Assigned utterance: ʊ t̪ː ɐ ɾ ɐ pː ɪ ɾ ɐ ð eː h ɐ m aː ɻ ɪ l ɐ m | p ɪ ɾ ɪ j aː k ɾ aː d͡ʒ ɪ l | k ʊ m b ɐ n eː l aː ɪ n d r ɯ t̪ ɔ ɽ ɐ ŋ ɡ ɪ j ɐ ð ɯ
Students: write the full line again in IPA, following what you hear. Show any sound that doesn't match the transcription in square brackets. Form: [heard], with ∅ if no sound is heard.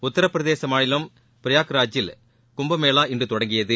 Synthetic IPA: ʊ t̪ː ɐ ɾ ɐ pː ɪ ɾ ɐ ð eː [s] ɐ m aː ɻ ɪ l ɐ m | p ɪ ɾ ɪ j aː k ɾ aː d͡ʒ ɪ l | k ʊ m b ɐ [m] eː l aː ɪ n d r ɯ t̪ ɔ ɽ ɐ ŋ ɡ ɪ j ɐ ð ɯ